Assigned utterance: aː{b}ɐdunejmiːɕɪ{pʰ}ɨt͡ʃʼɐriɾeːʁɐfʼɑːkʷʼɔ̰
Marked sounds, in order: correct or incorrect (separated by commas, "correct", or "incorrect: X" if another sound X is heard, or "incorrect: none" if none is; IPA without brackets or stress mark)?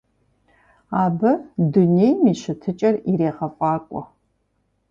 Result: correct, incorrect: tʰ